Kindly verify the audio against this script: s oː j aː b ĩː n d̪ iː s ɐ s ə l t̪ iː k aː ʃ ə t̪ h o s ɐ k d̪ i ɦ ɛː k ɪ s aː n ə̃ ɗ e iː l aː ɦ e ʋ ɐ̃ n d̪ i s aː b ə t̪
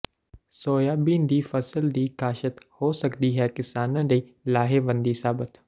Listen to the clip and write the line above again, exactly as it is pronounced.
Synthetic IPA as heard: s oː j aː b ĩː n d̪ iː f ɐ s ə l d̪ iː k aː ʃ ə t̪ h o s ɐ k d̪ i ɦ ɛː k ɪ s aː n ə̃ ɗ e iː l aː ɦ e ʋ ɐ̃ n d̪ i s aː b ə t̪